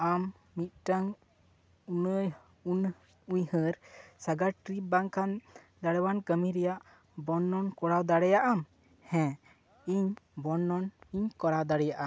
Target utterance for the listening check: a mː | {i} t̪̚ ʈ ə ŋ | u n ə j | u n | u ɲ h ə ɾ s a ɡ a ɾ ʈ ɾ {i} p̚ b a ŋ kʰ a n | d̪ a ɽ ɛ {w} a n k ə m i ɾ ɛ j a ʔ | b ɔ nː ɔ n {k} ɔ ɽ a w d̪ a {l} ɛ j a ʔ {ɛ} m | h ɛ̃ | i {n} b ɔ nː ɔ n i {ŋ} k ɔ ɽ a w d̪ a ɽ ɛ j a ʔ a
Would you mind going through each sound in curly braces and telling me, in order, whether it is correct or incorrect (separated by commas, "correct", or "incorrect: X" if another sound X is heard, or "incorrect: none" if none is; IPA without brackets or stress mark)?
correct, correct, correct, correct, incorrect: ɽ, incorrect: a, incorrect: ɲ, incorrect: ɲ